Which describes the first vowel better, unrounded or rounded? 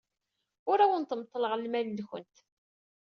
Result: rounded